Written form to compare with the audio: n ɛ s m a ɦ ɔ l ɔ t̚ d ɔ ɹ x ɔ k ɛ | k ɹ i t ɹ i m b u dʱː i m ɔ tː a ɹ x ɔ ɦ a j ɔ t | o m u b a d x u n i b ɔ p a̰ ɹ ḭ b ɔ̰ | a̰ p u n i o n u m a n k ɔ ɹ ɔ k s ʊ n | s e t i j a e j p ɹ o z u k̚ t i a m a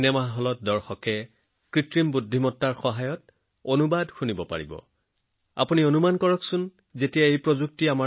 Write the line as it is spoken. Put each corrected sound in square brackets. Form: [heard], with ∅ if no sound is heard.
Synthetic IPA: n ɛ [∅] m a ɦ ɔ l ɔ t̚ d ɔ ɹ x ɔ k ɛ | k ɹ i t ɹ i m b u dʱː i m ɔ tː a ɹ x ɔ ɦ a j ɔ t | o [n] u b a d x u n i b ɔ p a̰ ɹ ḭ b ɔ̰ | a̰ p u n i o n u m a n k ɔ ɹ ɔ k s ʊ n | [z] e t i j a e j p ɹ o z u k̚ t i a m a

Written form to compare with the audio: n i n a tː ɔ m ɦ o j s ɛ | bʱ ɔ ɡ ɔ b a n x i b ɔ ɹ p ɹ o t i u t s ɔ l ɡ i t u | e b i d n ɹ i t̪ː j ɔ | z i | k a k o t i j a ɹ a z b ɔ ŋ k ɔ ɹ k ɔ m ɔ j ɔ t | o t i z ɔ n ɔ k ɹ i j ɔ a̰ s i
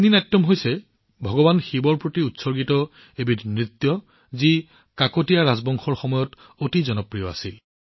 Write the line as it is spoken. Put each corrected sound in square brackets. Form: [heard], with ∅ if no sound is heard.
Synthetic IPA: n i n a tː ɔ m ɦ o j s ɛ | bʱ ɔ ɡ ɔ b a n x i b ɔ ɹ p ɹ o t i u t s ɔ [ɹ] ɡ i t [ɔ] | e b i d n ɹ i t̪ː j ɔ | z i | k a k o t i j a ɹ a z b ɔ ŋ [x] ɔ ɹ [x] ɔ m ɔ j ɔ t | o t i z ɔ n ɔ [p] ɹ i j ɔ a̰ s i

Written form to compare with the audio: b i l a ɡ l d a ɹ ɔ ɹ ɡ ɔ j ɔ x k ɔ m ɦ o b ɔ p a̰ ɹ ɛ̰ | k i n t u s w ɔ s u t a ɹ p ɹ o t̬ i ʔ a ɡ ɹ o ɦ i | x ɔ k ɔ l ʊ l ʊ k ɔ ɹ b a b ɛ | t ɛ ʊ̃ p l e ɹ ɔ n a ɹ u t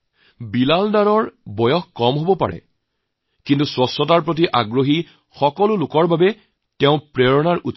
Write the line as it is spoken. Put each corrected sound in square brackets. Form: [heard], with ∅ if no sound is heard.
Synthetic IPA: b i l a [∅] l d a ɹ ɔ ɹ [b] ɔ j ɔ x k ɔ m ɦ o b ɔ p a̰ ɹ ɛ̰ | k i n t u s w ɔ s [ɔ] t a ɹ p ɹ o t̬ i ʔ a ɡ ɹ o ɦ i | x ɔ k ɔ l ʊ l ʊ k ɔ ɹ b a b ɛ | t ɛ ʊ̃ p [ɹ] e ɹ ɔ n a ɹ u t

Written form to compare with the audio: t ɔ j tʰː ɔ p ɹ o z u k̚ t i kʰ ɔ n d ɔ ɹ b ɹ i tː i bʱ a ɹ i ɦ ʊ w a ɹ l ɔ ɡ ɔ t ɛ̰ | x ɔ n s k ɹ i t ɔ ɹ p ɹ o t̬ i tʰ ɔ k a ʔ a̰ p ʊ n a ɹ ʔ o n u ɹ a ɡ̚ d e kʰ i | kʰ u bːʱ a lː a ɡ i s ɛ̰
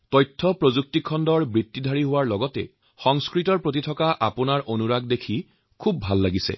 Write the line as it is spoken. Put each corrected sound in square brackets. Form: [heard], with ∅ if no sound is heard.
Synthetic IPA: t ɔ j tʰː ɔ p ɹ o z u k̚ t i kʰ ɔ n d ɔ ɹ b ɹ i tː i [dʱ] a ɹ i ɦ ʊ w a ɹ l ɔ ɡ ɔ t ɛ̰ | x ɔ [ŋ] s k ɹ i t ɔ ɹ p ɹ o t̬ i tʰ ɔ k a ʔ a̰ p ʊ n a ɹ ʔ o n u ɹ a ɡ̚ d e kʰ i | kʰ u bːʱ a lː a ɡ i s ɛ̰

